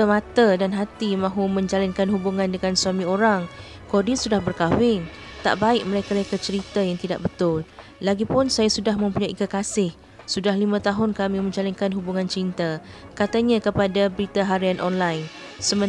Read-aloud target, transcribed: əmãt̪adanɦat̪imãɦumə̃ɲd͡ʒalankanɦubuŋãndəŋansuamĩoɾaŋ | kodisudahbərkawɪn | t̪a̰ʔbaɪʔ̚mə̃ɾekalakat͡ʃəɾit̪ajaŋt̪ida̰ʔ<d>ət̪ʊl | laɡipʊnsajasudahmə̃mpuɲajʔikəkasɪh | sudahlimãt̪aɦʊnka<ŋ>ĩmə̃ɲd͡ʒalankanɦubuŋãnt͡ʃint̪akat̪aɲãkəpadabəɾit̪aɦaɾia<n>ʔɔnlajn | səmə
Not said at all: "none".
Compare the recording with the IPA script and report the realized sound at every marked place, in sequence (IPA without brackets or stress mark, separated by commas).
b, m, n